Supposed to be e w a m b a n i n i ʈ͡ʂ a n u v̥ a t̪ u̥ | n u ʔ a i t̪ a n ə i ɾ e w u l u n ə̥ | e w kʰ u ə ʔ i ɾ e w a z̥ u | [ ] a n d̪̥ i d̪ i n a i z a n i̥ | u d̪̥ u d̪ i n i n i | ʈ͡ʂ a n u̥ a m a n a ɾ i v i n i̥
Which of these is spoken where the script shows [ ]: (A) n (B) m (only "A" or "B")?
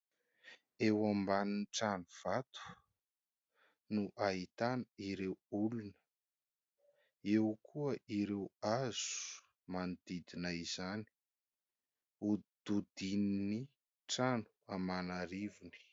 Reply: B